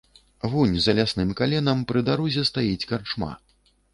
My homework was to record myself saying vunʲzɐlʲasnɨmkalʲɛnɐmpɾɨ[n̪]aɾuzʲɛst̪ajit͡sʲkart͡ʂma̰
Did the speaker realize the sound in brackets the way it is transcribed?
no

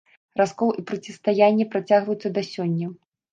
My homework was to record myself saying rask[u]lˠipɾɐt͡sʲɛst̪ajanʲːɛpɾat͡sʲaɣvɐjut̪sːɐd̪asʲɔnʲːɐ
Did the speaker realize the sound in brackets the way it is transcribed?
no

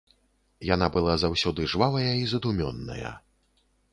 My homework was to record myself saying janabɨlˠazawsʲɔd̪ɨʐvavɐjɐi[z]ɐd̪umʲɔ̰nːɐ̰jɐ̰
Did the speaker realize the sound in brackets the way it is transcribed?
yes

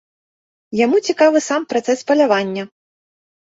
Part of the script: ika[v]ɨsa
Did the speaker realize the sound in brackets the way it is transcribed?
yes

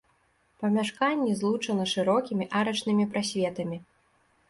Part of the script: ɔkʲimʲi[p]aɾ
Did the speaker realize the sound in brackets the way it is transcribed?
no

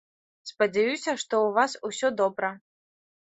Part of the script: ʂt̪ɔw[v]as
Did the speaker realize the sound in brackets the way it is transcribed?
yes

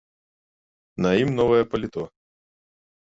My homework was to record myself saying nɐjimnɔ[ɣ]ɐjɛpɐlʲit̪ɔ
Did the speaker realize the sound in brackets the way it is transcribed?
no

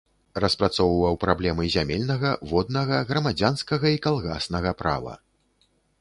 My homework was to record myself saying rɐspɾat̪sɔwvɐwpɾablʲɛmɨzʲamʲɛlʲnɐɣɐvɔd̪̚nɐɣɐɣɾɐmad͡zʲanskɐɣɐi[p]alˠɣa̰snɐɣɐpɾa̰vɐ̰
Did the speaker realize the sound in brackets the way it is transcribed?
no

